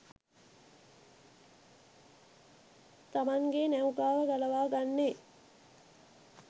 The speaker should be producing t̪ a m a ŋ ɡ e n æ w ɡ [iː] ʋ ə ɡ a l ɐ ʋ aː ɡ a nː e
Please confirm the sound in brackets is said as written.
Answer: no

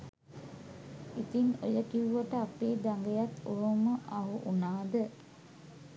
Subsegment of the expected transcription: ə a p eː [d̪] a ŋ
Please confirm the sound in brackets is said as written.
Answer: yes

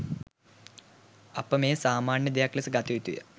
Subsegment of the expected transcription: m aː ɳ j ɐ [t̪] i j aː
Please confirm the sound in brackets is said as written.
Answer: no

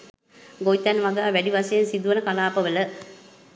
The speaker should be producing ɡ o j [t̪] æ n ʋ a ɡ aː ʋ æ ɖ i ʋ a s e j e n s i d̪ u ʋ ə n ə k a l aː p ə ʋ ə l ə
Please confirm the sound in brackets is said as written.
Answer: yes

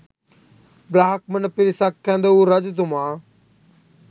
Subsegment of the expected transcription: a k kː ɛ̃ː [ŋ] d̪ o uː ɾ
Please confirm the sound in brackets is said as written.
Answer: no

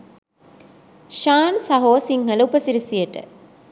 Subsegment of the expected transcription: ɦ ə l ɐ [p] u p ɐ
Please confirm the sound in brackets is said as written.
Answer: no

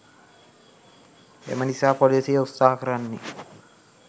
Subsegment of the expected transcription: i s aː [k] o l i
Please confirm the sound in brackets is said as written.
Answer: no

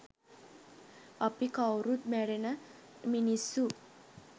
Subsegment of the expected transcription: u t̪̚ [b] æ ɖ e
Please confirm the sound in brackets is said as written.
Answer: no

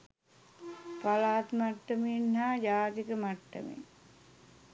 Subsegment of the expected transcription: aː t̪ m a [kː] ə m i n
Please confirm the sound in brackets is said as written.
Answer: no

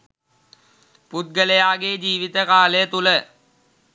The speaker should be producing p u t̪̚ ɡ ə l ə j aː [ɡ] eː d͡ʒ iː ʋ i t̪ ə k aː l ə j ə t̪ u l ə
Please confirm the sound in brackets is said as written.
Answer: yes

